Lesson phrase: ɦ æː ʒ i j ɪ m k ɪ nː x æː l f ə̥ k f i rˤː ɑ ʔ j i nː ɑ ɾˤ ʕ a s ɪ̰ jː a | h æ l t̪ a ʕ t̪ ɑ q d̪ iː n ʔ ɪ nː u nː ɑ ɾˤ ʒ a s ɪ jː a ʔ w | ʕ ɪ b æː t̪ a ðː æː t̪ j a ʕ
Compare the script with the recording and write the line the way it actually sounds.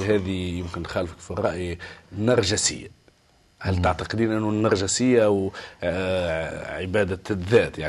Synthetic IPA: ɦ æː ð i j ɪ m k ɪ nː x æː l f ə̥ k f i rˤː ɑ ʔ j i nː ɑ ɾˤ ʒ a s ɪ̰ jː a | h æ l t̪ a ʕ t̪ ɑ q d̪ iː n ʔ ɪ nː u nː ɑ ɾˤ ʒ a s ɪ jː a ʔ w | ʕ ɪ b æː d̪ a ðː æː t̪ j a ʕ